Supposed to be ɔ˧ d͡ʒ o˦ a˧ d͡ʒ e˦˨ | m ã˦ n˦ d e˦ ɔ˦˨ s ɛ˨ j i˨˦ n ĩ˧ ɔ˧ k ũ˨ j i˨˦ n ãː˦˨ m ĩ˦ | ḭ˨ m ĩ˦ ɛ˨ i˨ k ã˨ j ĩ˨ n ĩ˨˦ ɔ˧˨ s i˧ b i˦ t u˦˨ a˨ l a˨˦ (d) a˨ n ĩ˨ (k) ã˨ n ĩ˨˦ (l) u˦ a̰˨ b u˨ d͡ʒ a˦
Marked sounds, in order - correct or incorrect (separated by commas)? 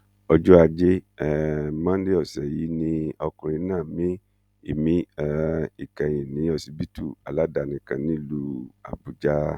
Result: correct, correct, correct